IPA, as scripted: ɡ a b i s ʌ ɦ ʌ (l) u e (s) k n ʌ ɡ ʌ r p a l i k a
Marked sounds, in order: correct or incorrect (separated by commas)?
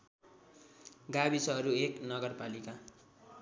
incorrect, incorrect